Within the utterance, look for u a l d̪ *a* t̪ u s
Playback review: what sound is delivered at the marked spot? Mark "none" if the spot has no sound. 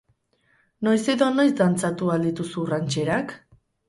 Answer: i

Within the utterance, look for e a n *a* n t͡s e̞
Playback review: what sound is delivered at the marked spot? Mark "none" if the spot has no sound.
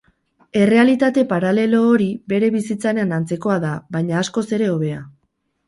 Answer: a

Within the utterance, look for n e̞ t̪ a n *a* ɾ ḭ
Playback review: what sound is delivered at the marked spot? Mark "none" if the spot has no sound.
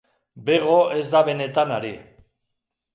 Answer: a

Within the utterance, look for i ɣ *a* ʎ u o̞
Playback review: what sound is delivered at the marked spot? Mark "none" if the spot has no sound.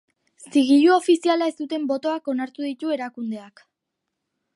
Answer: i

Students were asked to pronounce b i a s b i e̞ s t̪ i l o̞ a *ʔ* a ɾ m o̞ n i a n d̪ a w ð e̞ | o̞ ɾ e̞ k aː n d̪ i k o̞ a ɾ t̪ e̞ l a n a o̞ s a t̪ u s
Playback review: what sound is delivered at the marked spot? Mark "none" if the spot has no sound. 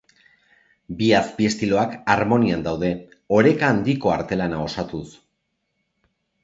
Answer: k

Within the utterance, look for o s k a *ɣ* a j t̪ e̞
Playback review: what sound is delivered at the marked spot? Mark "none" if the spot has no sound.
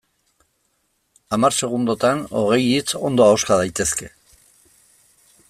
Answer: ð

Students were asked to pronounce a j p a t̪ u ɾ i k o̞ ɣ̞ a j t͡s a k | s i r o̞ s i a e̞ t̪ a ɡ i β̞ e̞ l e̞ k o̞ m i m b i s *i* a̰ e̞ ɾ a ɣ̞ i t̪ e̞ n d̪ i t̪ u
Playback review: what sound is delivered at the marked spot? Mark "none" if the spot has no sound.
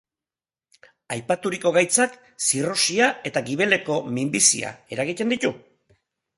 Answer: i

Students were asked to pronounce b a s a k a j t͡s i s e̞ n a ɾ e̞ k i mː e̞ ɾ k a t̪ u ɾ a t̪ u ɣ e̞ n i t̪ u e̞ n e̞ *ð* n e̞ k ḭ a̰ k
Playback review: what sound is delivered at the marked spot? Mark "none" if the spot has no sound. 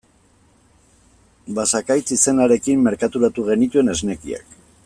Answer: z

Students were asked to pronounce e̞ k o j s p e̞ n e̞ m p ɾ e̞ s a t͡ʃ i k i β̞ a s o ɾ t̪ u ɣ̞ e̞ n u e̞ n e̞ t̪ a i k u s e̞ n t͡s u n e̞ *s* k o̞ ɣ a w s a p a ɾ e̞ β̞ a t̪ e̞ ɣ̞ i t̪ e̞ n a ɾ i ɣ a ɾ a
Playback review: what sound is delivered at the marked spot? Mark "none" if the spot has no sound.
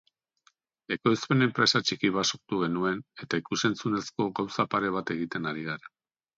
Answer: s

